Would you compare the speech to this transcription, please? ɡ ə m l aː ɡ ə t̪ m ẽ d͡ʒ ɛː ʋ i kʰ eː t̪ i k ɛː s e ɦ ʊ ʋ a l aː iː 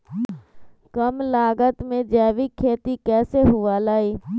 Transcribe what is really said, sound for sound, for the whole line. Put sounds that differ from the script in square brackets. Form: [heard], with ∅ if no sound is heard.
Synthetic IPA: [k] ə m l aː ɡ ə t̪ m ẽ d͡ʒ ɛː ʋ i kʰ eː t̪ i k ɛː s e ɦ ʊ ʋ a l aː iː

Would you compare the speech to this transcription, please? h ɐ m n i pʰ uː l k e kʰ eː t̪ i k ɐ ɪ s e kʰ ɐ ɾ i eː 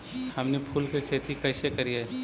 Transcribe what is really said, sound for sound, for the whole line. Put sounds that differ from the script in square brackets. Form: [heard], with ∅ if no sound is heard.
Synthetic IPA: h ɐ m n [e] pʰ uː l k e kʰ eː t̪ i k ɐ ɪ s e [k] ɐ ɾ i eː

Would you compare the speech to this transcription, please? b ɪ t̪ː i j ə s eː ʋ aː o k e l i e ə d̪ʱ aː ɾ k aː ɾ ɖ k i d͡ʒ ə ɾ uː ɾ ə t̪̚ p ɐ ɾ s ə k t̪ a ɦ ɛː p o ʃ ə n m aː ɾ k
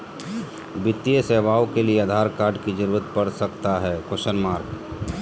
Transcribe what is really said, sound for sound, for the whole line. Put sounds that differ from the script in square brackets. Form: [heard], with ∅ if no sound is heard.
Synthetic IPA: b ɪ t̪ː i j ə s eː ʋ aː o k e l i e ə d̪ʱ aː ɾ k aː ɾ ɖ k i d͡ʒ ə ɾ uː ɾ ə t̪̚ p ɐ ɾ s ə k t̪ a ɦ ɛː [k] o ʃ ə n m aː ɾ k

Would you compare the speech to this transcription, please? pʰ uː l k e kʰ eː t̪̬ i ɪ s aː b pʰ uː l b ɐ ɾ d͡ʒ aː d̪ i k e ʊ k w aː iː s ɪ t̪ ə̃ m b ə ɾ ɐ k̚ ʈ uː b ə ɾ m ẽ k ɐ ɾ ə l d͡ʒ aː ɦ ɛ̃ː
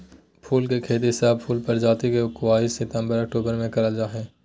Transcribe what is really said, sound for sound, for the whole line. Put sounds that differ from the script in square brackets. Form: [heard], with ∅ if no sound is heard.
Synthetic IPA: pʰ uː l k e kʰ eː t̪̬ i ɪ s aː b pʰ uː l [p] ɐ ɾ d͡ʒ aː [t̪] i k e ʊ k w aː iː s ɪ t̪ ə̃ m b ə ɾ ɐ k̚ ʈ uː b ə ɾ m ẽ k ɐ ɾ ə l d͡ʒ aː ɦ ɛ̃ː

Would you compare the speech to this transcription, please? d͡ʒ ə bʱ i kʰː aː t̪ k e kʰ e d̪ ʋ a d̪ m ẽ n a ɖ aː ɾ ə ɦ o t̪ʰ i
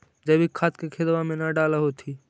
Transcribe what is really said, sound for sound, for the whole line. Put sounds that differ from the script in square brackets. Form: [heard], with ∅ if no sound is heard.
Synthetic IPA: d͡ʒ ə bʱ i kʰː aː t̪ k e kʰ e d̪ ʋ a [∅] m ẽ n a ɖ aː [l] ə ɦ o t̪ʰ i

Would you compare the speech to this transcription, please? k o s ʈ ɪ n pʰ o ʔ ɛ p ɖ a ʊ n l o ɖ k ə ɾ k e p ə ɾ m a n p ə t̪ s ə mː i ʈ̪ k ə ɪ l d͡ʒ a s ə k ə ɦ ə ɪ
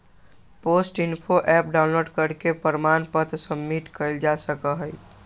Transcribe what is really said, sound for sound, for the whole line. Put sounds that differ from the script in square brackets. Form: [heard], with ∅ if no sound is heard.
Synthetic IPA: [p] o s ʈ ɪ n pʰ o ʔ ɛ p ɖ a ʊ n l o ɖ k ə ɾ k e p ə ɾ m a n p ə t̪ s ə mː i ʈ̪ k ə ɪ l d͡ʒ a s ə k ə ɦ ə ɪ

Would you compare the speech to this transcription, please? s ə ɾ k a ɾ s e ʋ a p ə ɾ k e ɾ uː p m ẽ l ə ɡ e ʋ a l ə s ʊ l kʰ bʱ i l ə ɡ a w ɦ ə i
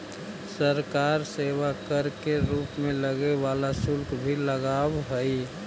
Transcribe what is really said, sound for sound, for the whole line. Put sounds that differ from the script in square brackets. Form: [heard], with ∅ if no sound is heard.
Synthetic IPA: s ə ɾ k a ɾ s e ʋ a [k] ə ɾ k e ɾ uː p m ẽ l ə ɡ e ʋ a l [a] s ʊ l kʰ bʱ i l ə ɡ a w ɦ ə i

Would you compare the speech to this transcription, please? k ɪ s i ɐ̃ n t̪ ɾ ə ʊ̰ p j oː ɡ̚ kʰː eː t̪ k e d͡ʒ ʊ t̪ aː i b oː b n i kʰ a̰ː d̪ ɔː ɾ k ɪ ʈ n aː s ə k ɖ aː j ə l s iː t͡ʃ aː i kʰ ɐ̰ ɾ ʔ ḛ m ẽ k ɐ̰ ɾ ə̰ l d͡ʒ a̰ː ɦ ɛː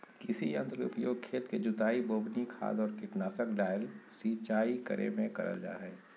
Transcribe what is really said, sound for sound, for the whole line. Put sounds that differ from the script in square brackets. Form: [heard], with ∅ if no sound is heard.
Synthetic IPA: k ɪ s i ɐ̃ n t̪ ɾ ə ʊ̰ p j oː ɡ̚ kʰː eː t̪ k e d͡ʒ ʊ t̪ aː i b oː b n i kʰ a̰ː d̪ ɔː ɾ k ɪ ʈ n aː s ə k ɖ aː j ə l s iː t͡ʃ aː i [k] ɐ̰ ɾ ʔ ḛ m ẽ k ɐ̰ ɾ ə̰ l d͡ʒ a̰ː ɦ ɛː

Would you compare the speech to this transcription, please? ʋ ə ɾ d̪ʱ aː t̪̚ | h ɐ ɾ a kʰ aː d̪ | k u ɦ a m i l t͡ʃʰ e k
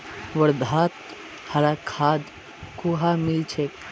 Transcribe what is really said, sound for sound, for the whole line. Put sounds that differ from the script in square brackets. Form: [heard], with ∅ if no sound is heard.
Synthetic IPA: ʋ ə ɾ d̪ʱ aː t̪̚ | h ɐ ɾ a kʰ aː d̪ | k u ɦ a m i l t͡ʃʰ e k

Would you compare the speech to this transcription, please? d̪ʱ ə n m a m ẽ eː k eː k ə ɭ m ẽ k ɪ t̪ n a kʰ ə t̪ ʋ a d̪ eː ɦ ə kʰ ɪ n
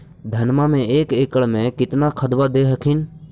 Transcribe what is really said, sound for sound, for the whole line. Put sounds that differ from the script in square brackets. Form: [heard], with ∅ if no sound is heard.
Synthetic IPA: d̪ʱ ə n m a m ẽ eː k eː k ə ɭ m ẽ k ɪ t̪ n a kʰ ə [d̪] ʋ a d̪ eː ɦ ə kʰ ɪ n

